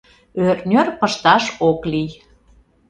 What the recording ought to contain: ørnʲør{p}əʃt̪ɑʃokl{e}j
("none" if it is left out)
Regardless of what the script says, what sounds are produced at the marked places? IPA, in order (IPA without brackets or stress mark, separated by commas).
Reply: p, i